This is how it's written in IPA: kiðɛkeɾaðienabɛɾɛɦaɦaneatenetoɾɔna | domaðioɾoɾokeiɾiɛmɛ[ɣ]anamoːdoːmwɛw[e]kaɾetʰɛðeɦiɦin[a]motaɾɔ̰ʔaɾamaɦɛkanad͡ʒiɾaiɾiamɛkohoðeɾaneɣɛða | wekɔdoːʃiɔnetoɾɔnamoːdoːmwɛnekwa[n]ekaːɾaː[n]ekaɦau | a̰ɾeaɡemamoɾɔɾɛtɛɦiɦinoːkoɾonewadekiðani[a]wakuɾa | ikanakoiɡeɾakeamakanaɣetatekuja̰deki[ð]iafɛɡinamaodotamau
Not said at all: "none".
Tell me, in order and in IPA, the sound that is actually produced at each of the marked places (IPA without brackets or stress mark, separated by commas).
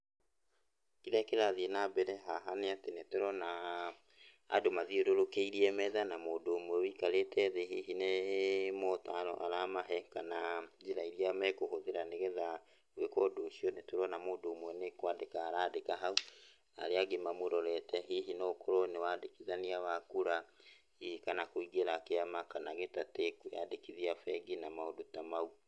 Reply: ð, i, e, d, d, a, ð